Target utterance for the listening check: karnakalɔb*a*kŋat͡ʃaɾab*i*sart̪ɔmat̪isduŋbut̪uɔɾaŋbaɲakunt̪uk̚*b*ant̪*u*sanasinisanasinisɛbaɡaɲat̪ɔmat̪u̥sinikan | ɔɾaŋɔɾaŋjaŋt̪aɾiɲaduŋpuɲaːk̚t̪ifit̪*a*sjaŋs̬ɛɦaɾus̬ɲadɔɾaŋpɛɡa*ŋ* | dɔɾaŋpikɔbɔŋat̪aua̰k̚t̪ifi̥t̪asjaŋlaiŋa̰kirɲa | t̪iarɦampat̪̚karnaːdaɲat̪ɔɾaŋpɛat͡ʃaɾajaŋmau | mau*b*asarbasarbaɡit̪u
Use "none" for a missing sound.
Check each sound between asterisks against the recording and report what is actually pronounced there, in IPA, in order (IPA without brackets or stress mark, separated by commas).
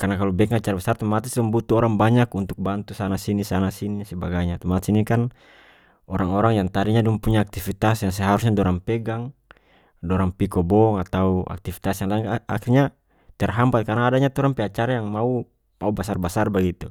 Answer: ɛ, a, b, u, a, ŋ, b